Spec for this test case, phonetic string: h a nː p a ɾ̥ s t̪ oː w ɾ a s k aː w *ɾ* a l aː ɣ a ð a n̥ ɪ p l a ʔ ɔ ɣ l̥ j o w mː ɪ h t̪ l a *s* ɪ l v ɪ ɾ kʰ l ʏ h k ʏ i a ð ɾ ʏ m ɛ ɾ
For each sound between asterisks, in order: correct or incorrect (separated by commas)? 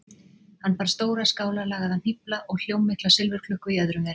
incorrect, correct